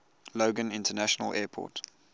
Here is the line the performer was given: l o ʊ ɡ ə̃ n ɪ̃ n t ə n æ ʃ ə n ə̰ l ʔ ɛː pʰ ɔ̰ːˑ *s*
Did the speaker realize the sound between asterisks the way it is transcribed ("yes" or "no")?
no